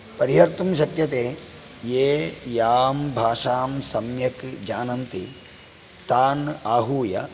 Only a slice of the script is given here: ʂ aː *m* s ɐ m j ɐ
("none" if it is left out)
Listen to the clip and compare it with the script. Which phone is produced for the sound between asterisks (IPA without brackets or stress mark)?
m